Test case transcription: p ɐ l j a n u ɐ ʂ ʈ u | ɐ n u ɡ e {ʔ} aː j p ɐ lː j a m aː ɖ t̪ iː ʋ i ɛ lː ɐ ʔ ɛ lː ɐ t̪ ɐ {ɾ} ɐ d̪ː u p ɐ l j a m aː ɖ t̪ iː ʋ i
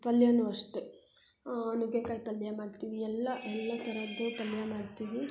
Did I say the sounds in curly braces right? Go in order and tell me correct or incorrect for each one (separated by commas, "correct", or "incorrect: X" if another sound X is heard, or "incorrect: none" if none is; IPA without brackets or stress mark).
incorrect: k, correct